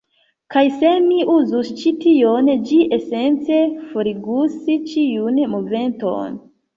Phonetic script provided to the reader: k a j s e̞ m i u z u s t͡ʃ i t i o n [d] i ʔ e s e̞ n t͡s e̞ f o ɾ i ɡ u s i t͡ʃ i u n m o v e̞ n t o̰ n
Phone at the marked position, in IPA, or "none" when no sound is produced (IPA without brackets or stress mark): d͡ʒ